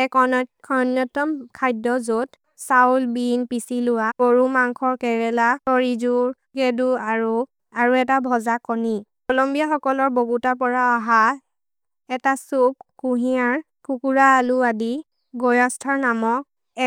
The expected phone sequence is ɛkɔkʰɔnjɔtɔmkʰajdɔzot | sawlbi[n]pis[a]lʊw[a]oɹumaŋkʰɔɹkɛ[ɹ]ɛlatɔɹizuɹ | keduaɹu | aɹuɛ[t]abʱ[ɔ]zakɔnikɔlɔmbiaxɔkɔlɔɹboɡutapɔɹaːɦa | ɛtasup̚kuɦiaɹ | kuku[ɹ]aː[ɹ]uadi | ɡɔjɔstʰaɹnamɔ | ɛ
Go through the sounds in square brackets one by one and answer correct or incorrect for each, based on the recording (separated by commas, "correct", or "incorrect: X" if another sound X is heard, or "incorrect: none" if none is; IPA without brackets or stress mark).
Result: correct, incorrect: i, correct, correct, correct, correct, correct, incorrect: l